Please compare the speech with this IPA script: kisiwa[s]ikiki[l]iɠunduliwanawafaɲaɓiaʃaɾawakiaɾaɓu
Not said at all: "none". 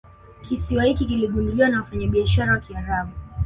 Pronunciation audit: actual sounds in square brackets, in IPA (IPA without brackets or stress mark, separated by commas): h, l